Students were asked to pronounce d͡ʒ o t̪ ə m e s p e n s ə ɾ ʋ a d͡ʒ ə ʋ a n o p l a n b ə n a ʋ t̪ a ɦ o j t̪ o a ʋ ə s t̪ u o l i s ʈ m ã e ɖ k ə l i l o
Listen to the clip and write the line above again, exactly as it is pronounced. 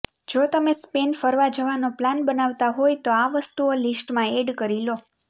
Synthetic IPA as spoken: d͡ʒ o t̪ ə m e s p e n f ə ɾ ʋ a d͡ʒ ə ʋ a n o p l a n b ə n a ʋ t̪ a ɦ o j t̪ o a ʋ ə s t̪ u o l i s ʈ m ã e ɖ k ə ɾ i l o